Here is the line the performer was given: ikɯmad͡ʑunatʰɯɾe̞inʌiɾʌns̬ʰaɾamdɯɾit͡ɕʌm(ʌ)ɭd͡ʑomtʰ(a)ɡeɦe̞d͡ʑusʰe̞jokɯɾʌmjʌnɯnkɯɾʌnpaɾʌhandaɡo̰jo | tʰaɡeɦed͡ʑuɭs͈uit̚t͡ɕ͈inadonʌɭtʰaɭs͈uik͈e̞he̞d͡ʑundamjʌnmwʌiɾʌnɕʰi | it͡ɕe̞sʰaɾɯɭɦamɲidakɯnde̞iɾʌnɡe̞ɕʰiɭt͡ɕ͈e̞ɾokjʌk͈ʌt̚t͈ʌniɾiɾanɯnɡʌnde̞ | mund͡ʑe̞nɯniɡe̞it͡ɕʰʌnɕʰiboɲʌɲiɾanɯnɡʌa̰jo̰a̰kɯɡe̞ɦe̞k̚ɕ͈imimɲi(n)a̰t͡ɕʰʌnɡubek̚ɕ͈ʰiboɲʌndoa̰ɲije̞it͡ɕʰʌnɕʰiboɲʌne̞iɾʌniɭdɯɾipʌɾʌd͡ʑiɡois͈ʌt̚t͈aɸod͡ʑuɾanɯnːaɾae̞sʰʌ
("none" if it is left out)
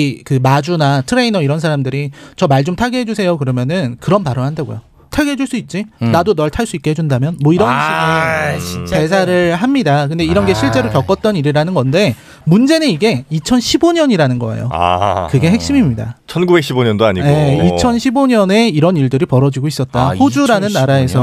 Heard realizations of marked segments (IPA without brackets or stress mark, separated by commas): a, a, d